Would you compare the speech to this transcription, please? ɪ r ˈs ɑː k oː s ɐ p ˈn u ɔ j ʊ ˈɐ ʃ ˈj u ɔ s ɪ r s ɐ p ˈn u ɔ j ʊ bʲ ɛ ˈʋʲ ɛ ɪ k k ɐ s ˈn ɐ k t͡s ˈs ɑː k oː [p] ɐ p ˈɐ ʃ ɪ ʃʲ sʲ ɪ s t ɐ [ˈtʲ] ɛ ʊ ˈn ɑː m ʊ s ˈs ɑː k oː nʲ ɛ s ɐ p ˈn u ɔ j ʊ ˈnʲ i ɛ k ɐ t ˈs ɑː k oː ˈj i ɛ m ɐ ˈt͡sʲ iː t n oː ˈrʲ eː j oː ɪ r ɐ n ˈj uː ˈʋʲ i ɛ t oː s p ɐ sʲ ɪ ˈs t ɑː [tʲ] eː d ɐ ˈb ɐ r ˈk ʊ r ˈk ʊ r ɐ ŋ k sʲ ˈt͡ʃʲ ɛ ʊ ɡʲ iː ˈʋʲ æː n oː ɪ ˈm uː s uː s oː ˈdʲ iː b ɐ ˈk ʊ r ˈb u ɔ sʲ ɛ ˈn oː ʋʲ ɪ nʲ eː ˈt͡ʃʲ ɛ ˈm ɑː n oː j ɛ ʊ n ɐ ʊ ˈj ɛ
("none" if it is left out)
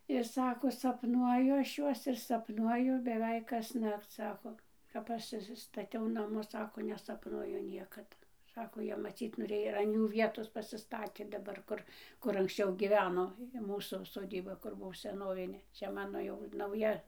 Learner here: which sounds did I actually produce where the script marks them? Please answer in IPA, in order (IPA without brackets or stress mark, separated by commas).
k, tʲ, tʲ